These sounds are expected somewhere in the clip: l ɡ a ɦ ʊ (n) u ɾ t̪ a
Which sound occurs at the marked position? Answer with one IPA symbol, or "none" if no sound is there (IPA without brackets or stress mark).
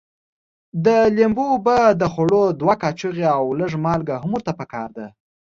m